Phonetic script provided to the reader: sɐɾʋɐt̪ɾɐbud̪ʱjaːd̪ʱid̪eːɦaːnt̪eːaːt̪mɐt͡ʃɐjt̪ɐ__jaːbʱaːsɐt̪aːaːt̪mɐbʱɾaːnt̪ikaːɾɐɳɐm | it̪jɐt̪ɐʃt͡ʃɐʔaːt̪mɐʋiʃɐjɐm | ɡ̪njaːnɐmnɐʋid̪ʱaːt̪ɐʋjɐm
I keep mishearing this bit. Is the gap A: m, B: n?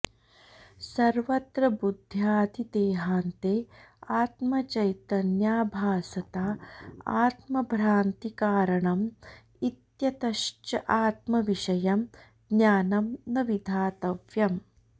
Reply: B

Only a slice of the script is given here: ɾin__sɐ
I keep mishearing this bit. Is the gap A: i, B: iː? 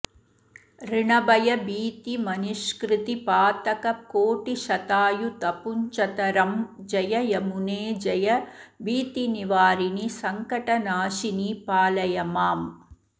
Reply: A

